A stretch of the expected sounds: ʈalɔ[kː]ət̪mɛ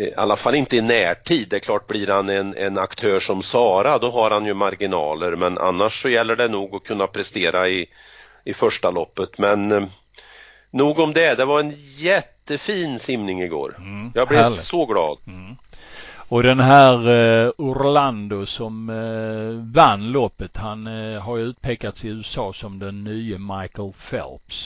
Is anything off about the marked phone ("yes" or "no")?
yes